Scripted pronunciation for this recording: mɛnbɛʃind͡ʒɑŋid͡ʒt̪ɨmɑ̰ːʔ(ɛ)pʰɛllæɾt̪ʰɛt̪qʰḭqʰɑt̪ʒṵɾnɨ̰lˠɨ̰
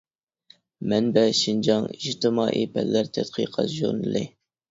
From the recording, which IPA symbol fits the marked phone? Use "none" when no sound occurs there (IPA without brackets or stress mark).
i